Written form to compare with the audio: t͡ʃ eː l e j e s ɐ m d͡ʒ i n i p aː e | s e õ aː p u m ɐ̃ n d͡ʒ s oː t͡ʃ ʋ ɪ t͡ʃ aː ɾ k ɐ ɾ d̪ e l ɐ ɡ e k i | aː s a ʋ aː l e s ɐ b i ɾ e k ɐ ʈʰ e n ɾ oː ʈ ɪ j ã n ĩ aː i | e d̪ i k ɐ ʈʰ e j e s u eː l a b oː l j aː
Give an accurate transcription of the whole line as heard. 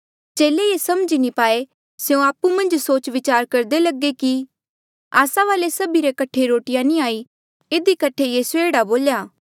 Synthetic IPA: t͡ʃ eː l e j e s ɐ m d͡ʒ i n i p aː e | s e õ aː p u m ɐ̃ n d͡ʒ s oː t͡ʃ ʋ ɪ t͡ʃ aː ɾ k ɐ ɾ d̪ e l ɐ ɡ e k i | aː s a ʋ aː l e s ɐ b i ɾ e k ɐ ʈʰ e ɾ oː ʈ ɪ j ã n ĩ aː i | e d̪ i k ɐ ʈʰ e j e s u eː ɽ a b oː l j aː